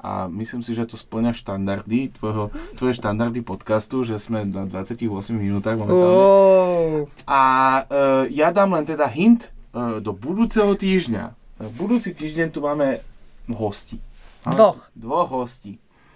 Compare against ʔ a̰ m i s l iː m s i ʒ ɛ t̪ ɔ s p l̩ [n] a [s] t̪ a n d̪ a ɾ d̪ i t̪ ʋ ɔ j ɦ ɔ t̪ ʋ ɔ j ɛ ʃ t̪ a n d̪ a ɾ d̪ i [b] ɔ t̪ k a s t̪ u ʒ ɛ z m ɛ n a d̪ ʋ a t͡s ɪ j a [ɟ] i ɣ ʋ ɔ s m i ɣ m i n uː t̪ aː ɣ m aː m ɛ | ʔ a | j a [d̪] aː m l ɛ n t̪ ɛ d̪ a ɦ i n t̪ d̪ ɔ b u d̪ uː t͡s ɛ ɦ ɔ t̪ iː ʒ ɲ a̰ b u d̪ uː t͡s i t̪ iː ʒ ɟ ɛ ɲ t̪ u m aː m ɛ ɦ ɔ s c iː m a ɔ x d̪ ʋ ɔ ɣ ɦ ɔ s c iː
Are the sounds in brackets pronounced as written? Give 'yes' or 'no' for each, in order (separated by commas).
no, no, no, no, yes